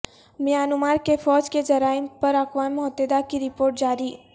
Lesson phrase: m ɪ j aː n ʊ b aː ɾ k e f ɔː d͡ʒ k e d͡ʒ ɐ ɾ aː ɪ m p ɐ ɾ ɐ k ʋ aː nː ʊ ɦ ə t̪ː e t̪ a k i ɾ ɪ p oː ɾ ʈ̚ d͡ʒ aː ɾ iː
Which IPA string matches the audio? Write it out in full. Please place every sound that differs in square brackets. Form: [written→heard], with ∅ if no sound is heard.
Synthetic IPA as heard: m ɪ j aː n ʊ [b→m] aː ɾ k e f ɔː d͡ʒ k e d͡ʒ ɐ ɾ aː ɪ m p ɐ ɾ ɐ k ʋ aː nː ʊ ɦ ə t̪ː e [t̪→d̪] a k i ɾ ɪ p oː ɾ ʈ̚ d͡ʒ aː ɾ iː